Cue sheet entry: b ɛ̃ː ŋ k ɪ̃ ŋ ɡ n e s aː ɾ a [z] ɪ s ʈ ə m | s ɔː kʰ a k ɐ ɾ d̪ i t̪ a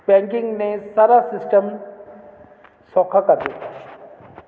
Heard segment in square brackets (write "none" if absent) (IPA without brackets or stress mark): s